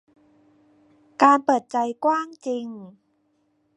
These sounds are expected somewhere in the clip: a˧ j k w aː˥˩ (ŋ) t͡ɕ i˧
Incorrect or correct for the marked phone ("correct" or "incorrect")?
correct